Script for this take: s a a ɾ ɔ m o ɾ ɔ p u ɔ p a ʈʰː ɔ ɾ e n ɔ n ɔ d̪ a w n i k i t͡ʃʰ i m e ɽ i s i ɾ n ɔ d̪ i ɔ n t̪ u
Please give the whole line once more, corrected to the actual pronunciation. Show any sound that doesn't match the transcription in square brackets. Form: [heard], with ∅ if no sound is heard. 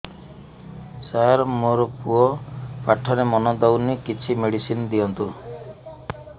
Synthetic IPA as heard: s a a ɾ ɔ m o ɾ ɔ p u ɔ p a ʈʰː ɔ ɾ e [m] ɔ n ɔ d̪ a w n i k i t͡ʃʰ i m e ɽ i s i [∅] n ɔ d̪ i ɔ n t̪ u